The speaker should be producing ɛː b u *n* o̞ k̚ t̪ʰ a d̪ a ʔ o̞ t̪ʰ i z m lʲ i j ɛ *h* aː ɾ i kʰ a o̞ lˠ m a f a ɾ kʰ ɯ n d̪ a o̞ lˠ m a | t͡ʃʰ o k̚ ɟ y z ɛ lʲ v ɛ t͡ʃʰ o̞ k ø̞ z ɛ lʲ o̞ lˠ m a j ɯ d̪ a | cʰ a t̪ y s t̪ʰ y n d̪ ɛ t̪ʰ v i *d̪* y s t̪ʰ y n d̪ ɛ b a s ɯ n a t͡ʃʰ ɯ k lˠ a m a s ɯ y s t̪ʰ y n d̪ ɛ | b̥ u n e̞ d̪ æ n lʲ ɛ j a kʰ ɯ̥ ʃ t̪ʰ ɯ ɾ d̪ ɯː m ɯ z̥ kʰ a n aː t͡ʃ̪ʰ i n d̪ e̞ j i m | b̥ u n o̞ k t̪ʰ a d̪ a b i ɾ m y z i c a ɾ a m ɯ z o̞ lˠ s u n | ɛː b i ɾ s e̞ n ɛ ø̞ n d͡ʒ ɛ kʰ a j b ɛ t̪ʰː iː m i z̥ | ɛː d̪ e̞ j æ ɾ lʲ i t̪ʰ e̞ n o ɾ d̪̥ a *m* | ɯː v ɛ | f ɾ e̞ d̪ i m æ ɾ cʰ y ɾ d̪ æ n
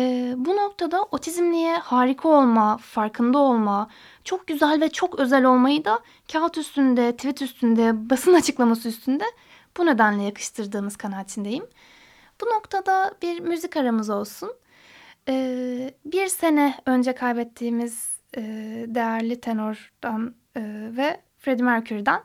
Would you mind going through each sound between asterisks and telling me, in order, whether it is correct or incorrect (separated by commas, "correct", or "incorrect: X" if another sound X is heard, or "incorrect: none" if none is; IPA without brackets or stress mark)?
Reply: correct, correct, incorrect: t̪, incorrect: n